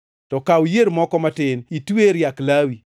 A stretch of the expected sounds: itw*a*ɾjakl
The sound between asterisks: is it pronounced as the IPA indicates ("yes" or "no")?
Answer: no